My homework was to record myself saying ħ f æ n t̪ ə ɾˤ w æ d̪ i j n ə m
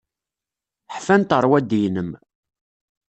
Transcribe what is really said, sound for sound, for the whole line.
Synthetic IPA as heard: ħ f æ n t̪ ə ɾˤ w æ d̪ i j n ə m